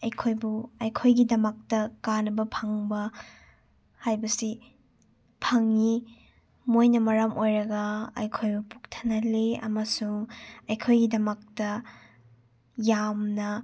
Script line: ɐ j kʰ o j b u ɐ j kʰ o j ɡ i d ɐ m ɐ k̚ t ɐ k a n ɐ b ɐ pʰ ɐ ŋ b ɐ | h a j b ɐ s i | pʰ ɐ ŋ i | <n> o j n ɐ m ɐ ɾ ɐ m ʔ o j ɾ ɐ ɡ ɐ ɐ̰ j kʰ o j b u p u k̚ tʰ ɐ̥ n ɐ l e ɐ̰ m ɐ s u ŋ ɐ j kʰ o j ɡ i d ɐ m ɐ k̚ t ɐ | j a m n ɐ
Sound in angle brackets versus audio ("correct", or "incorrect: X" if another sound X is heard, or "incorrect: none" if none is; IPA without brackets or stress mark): incorrect: m